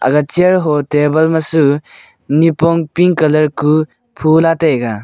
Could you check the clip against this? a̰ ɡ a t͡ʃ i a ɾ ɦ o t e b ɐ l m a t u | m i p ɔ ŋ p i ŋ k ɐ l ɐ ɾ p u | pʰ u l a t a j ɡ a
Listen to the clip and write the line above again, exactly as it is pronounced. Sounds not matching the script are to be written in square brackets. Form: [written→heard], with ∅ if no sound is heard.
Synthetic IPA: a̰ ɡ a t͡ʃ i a ɾ ɦ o t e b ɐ l m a [t→s] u | [m→n] i p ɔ ŋ p i ŋ k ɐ l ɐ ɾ [p→k] u | pʰ u l a t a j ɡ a

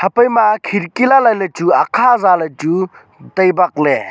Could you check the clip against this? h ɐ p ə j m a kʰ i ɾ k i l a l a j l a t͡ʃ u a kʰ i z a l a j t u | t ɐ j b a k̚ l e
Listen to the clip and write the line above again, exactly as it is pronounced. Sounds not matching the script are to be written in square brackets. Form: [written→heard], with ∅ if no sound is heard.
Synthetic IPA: h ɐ p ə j m a kʰ i ɾ k i l a l a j l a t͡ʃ u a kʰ [i→a] z a l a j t u | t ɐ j b a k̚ l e

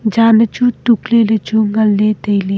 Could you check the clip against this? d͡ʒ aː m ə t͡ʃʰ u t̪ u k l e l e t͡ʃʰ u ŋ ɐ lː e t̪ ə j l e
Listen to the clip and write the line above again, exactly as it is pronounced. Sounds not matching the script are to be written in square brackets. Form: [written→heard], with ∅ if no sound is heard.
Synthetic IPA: d͡ʒ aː [m→n] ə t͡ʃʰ u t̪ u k l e l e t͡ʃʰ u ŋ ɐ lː e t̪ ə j l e

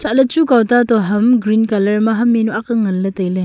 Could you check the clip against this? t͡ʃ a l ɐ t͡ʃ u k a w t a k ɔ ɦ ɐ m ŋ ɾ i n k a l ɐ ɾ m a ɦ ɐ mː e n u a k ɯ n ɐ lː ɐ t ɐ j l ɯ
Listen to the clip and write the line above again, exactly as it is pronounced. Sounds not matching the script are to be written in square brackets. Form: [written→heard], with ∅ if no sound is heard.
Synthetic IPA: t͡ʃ a l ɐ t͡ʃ u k a w t a [k→t] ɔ ɦ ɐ m [ŋ→ɡ] ɾ i n k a l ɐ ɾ m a ɦ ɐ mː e n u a k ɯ [n→ŋ] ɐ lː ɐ t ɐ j l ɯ

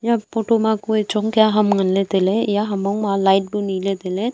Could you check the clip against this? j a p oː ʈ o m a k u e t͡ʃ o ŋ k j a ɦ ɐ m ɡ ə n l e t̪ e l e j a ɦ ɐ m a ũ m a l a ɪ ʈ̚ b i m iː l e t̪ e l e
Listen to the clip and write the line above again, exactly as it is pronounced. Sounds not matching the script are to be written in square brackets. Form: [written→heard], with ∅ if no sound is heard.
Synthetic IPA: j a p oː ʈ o m a k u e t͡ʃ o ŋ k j a ɦ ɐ m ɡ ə n l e t̪ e l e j a ɦ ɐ m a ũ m a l a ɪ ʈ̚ b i [m→n] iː l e t̪ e l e

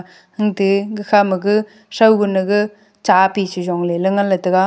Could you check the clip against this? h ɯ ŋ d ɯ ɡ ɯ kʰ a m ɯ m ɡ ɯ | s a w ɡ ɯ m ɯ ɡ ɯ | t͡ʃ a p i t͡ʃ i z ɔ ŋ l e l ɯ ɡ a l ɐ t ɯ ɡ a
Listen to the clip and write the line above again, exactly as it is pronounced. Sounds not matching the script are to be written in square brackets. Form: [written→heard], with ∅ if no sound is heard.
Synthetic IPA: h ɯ ŋ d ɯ ɡ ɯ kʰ a m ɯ [m→∅] ɡ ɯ | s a w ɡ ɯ [m→n] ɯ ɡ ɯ | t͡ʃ a p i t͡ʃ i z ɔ ŋ l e l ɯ [ɡ→ŋ] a l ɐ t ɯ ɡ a

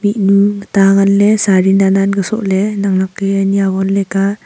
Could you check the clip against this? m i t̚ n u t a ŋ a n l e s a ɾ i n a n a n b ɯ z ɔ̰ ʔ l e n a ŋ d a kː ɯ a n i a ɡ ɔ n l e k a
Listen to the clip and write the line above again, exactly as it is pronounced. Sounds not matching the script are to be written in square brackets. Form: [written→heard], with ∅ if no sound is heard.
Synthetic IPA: m i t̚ n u t a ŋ a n l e s a ɾ i n a n a n [b→ɡ] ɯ [z→s] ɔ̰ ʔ l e n a ŋ [d→n] a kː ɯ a n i a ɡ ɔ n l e k a

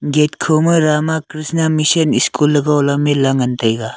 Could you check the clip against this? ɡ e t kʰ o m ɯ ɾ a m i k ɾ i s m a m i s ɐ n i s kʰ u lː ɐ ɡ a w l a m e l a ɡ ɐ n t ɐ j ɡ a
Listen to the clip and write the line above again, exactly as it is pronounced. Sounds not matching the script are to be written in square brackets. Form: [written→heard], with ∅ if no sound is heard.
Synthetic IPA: ɡ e t kʰ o m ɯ ɾ a m [i→a] k ɾ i s [m→n] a m i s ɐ n i s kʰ u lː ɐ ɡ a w l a m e l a [ɡ→ŋ] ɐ n t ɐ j ɡ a

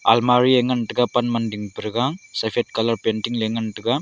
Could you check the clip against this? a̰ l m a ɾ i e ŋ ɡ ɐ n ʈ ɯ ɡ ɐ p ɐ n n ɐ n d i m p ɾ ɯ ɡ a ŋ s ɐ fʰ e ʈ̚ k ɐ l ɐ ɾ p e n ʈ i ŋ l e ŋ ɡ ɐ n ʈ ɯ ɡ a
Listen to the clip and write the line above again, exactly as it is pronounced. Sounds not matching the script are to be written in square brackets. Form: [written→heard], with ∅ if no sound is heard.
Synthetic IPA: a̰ l m a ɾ i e ŋ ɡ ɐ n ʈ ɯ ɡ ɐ p ɐ n [n→m] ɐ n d i [m→ŋ] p ɾ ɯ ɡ a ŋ s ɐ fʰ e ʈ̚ k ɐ l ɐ ɾ p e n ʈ i ŋ l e ŋ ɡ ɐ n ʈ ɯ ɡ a

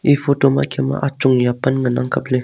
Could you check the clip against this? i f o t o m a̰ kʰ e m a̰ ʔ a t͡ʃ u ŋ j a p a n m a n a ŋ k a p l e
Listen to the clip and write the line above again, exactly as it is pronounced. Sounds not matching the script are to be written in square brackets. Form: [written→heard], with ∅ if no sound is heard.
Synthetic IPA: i f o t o m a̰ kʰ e m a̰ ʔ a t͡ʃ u ŋ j a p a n [m→ŋ] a n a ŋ k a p l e

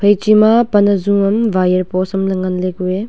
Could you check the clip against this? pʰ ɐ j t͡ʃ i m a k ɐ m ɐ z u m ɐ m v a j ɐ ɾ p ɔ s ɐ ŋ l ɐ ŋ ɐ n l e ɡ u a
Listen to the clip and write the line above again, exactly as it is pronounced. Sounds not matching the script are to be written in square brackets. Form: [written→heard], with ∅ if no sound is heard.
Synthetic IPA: pʰ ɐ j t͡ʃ i m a [k→p] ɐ [m→n] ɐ z u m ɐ m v a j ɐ ɾ p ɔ s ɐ [ŋ→m] l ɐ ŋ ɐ n l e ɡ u [a→e]

